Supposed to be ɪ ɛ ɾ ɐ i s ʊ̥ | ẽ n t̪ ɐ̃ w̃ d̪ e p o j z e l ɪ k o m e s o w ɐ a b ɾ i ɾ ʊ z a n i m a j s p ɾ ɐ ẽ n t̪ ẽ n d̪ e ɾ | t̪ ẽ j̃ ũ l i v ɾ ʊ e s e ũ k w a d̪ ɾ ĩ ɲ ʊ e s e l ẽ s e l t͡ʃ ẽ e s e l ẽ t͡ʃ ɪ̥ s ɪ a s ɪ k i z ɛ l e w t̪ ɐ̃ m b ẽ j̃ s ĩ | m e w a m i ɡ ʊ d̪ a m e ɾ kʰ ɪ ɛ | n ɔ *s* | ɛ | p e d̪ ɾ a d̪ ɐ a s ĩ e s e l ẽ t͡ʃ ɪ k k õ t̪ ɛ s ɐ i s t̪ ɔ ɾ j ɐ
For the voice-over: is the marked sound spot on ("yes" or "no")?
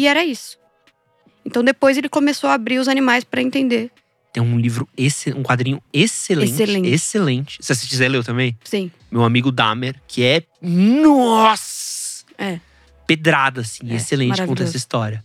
yes